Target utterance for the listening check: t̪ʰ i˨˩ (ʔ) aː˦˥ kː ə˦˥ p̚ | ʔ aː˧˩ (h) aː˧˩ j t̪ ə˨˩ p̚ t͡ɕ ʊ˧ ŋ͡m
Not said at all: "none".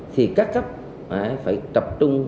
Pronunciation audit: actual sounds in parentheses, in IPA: k, f

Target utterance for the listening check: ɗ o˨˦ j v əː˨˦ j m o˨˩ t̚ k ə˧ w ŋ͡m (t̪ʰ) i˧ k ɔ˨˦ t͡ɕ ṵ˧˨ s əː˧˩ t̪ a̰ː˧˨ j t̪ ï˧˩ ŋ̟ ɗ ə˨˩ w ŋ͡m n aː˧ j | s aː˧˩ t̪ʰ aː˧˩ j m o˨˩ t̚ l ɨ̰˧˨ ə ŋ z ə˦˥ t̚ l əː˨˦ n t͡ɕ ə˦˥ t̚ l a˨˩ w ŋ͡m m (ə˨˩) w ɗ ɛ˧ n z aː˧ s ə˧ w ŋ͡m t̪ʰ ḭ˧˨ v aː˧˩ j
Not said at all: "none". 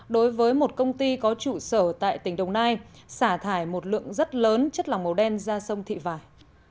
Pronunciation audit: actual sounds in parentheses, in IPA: t̪, ə˨˩

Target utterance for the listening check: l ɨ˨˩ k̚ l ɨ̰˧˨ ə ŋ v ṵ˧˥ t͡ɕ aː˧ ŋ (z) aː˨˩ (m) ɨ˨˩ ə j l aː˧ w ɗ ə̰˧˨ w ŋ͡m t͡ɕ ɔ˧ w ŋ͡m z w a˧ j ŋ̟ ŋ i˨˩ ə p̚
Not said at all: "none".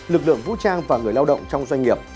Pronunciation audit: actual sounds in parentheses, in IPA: v, ŋ

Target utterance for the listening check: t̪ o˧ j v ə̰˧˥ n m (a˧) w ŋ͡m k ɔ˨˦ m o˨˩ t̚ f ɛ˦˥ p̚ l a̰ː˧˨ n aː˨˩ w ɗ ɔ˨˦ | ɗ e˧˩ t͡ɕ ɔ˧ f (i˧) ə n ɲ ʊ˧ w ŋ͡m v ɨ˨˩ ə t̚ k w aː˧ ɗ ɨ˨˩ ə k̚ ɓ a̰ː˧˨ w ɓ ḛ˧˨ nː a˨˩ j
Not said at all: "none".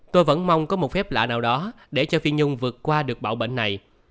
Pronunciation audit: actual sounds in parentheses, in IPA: a˧, i˧

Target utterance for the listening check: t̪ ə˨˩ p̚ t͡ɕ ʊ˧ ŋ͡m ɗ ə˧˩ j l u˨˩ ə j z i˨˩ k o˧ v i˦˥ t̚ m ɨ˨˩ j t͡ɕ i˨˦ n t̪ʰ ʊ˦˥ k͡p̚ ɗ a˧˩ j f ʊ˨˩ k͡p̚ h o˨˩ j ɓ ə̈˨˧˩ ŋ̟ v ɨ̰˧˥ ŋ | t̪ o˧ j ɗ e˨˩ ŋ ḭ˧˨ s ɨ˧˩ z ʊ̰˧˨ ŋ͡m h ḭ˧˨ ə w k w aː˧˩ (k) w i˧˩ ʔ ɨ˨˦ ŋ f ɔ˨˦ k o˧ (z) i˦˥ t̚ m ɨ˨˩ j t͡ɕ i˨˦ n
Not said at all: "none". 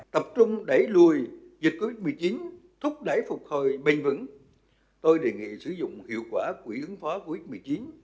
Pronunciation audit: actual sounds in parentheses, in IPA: k, v

